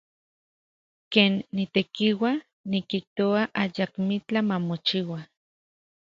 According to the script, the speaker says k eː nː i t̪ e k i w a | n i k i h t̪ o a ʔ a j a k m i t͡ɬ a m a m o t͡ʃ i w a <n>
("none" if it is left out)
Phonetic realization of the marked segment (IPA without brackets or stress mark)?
none